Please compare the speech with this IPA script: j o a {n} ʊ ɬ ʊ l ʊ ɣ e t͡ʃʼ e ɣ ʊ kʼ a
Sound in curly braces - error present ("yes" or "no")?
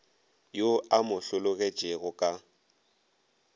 yes